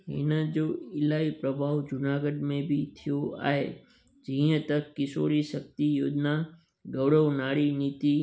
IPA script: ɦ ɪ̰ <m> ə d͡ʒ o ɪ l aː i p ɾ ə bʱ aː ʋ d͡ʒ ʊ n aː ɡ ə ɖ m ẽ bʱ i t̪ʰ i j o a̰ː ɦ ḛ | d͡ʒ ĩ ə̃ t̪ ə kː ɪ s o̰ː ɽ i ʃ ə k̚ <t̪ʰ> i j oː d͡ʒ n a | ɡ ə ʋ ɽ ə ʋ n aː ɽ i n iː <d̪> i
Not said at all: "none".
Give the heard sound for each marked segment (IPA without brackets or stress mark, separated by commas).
n, t̪, t̪